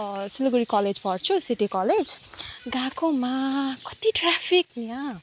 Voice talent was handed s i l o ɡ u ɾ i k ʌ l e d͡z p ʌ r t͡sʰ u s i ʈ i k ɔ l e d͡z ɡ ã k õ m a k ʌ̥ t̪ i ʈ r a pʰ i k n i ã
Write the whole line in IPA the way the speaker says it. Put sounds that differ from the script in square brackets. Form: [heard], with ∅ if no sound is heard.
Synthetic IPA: s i l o ɡ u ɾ i k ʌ l e d͡z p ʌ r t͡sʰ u s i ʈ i k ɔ l e d͡z ɡ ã k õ m a k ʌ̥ t̪ i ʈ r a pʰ i k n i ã